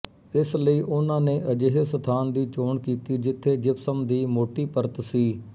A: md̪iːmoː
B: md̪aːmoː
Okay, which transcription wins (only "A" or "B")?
A